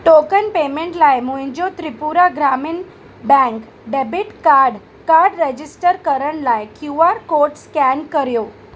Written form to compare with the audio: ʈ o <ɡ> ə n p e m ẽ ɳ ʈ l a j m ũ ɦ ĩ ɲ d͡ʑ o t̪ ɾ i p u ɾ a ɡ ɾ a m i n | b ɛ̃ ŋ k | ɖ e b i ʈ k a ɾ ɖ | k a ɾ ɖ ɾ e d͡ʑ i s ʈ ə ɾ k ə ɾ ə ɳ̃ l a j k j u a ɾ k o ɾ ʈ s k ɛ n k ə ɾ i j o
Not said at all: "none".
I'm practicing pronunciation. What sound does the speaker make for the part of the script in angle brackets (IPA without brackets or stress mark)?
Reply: k